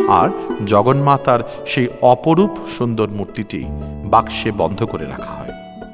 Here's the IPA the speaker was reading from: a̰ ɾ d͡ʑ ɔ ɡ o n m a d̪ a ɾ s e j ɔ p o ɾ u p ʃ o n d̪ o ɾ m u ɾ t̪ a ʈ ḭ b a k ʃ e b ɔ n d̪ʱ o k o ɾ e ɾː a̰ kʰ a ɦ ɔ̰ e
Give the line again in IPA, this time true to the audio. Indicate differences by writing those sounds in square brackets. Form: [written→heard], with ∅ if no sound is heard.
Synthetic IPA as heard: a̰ ɾ d͡ʑ ɔ ɡ o n m a [d̪→t̪] a ɾ [s→ʃ] e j ɔ p o ɾ u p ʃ [o→u] n d̪ o ɾ m u ɾ t̪ [a→i] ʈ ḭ b a k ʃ e b ɔ n d̪ʱ o k o ɾ e [ɾː→ɾ] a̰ kʰ a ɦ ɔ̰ e